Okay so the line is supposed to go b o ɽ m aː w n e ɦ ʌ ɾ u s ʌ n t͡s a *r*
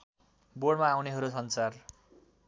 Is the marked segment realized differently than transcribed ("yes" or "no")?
no